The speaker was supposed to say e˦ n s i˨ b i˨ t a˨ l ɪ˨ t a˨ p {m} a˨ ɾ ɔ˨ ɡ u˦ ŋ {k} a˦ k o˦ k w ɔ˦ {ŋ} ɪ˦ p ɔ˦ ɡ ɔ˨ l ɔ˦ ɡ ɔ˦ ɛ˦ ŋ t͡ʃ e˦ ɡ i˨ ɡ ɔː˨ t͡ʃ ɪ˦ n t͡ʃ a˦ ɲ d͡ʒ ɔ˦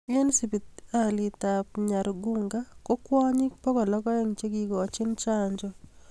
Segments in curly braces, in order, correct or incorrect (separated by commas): incorrect, incorrect, incorrect